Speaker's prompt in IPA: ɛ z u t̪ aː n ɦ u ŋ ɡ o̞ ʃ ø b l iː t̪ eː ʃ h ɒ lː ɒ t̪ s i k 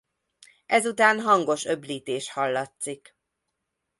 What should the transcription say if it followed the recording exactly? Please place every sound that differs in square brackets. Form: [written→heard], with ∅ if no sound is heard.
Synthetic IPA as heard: ɛ z u t̪ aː n ɦ [u→ɒ] ŋ ɡ o̞ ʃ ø b l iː t̪ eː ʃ h ɒ lː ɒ t̪ s i k